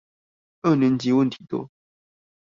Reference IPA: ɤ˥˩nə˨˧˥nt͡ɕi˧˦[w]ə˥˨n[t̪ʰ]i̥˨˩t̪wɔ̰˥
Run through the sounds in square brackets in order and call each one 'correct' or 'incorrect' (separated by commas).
correct, correct